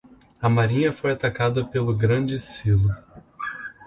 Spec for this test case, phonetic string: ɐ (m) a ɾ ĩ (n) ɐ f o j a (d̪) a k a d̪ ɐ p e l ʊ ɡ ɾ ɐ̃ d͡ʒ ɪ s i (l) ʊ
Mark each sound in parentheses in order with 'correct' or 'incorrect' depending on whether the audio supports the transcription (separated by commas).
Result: correct, incorrect, incorrect, correct